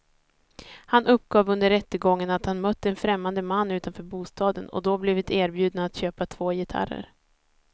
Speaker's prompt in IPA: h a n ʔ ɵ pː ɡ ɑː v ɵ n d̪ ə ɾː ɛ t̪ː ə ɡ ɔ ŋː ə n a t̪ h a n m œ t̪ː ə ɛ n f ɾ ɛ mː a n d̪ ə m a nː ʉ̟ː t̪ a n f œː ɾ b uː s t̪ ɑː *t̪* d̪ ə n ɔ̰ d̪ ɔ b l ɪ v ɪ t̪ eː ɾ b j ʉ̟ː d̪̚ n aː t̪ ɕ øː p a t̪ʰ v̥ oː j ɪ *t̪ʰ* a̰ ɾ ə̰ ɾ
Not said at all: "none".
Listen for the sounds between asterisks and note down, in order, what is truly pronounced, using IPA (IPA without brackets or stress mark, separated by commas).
none, t̪ʰ